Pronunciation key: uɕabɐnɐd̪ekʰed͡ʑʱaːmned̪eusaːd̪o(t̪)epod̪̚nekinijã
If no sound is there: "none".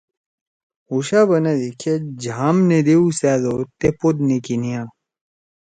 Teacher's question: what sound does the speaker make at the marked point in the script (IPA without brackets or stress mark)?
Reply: t̪